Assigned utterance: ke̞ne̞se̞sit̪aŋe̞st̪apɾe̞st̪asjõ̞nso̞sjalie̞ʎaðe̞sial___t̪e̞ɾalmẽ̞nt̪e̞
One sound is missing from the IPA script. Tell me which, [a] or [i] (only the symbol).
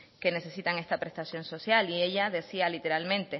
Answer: i